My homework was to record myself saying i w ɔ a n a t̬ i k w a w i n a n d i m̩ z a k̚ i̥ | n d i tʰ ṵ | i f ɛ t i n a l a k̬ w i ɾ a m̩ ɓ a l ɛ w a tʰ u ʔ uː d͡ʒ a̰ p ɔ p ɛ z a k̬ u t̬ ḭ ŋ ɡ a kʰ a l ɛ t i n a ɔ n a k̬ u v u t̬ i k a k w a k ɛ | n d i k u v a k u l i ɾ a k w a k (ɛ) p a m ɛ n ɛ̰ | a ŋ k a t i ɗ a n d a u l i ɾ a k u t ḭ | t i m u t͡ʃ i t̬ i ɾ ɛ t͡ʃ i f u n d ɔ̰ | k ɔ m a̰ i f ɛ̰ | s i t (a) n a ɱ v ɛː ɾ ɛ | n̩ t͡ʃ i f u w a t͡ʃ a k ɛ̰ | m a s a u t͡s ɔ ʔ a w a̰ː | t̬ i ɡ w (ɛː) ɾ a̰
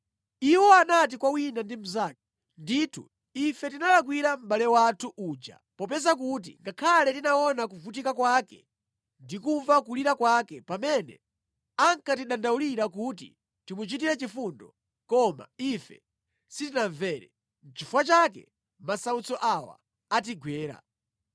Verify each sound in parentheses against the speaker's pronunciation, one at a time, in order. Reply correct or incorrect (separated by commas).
correct, incorrect, correct